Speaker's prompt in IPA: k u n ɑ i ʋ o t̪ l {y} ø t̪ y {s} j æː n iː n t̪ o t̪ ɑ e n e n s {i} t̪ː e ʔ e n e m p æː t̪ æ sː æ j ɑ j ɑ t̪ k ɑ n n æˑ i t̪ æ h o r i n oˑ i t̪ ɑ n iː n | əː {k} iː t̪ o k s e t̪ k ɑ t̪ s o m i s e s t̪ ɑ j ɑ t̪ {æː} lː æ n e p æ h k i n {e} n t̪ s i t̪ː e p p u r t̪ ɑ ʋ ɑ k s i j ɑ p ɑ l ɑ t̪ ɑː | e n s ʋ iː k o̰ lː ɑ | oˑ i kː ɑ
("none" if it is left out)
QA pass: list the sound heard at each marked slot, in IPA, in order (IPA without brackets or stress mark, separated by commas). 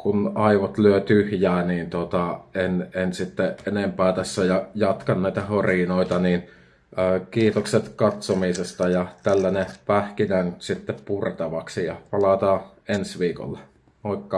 y, h, i, k, æ, æ